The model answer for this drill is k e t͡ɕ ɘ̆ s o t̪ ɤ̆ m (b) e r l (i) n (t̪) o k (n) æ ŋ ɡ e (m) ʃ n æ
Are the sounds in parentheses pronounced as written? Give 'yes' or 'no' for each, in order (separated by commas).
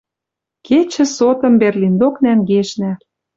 yes, yes, no, yes, no